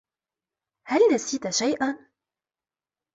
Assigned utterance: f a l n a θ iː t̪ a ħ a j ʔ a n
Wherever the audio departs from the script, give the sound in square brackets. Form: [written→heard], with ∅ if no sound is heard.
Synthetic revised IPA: [f→h] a l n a [θ→s] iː t̪ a [ħ→ʃ] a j ʔ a n